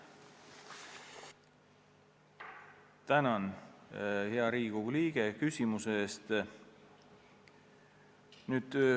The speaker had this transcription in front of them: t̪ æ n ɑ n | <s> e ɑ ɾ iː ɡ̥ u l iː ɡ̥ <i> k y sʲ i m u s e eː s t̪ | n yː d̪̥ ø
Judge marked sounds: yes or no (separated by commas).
no, no